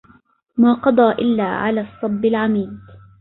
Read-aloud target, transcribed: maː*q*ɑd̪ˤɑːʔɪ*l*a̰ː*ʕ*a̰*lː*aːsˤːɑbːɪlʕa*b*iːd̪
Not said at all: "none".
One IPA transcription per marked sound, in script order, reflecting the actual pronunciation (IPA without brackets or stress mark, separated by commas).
q, lː, ʕ, l, m